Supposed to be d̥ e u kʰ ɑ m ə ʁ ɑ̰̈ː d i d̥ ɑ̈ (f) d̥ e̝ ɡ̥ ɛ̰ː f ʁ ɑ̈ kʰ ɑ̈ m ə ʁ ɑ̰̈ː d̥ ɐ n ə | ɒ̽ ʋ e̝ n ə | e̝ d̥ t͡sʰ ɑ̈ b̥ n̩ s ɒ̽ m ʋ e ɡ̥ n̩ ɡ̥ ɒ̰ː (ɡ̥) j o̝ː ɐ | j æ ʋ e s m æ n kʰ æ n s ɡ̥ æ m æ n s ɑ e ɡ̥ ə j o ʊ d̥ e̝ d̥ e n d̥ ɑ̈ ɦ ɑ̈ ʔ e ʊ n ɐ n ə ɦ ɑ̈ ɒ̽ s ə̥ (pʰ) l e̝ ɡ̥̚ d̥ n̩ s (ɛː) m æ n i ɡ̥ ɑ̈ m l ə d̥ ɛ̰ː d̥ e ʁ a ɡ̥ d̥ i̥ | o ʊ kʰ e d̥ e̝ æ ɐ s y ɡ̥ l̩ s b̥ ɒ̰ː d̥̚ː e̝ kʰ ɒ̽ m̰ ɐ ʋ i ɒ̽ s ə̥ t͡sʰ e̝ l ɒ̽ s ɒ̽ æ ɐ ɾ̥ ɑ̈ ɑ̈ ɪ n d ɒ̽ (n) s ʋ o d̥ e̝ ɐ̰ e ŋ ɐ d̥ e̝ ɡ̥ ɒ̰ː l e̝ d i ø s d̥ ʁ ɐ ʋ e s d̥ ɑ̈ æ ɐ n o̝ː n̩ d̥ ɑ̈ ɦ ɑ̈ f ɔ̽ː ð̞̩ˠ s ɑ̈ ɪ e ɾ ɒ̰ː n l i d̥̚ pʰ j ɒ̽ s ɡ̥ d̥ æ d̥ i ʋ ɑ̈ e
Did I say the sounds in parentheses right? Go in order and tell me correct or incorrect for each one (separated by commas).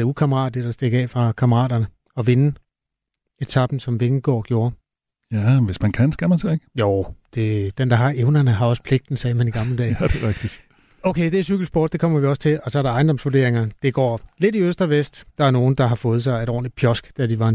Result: incorrect, correct, correct, correct, incorrect